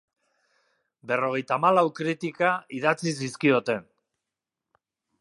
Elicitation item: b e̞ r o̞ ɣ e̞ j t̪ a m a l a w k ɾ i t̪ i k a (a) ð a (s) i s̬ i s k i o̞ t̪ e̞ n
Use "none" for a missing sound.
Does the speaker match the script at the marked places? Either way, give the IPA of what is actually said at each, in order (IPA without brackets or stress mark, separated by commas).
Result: i, t͡s